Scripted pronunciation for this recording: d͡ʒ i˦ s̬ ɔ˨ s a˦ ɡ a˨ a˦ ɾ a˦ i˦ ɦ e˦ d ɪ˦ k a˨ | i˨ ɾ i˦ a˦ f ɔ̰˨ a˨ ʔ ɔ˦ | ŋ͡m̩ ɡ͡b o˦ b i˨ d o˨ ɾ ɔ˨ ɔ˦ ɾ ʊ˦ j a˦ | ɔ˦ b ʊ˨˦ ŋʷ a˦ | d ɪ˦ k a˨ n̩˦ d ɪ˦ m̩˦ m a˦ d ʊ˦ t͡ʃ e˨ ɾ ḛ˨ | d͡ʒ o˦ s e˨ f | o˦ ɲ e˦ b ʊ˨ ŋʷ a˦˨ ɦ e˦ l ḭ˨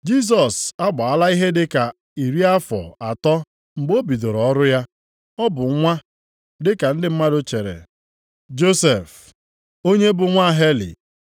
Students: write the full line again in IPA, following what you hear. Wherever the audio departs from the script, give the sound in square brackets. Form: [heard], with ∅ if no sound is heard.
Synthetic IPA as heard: d͡ʒ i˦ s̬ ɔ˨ s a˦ [ɡ͡b] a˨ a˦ [l] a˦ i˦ ɦ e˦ d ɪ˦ k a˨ | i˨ ɾ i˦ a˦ f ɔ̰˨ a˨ [t] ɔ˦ | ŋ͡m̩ ɡ͡b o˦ b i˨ d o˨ ɾ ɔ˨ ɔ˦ ɾ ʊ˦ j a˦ | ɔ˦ b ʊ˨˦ ŋʷ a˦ | d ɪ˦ k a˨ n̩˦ d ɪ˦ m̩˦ m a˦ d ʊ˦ t͡ʃ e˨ ɾ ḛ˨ | d͡ʒ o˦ s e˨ f | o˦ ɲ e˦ b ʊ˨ ŋʷ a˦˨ ɦ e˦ l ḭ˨